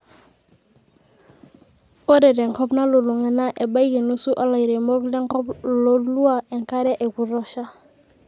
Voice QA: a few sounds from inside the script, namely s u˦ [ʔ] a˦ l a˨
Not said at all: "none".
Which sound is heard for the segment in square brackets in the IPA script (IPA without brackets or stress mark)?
ʔ